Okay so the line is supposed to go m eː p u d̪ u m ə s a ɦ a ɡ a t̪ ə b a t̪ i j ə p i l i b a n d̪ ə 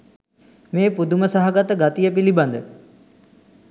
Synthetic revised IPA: m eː p u d̪ u m ə s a ɦ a ɡ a t̪ ə ɡ a t̪ i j ə p i l i b a n d̪ ə